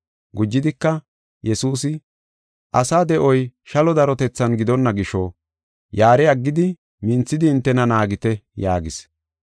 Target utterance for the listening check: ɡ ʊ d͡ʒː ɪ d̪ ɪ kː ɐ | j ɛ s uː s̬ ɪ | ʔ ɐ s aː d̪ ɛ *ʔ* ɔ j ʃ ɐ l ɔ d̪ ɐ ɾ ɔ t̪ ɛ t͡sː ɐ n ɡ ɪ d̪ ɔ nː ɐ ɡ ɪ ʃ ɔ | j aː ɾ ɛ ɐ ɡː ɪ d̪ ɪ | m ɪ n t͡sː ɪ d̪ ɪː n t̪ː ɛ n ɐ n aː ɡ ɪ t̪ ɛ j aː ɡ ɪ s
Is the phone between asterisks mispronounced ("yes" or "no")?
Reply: no